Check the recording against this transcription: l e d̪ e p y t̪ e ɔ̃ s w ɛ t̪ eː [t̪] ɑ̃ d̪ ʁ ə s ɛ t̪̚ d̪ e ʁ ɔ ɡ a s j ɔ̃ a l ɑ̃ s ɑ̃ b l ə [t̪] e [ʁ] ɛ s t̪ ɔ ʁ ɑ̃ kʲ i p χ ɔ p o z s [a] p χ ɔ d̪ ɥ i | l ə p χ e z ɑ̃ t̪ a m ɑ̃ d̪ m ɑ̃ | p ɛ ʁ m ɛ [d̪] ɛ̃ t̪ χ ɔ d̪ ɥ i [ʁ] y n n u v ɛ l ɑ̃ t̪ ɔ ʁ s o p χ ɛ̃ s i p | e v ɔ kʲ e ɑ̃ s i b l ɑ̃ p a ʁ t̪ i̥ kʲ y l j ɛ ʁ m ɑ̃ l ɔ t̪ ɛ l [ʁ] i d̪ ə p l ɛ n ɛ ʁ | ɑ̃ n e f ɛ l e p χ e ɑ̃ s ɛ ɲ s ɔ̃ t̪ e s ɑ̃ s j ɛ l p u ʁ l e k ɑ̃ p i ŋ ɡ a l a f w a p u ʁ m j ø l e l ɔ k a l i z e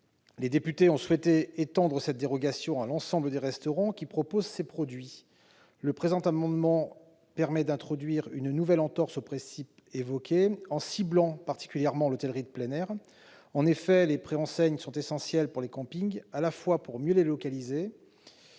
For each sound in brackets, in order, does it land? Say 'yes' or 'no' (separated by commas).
yes, no, yes, no, yes, yes, yes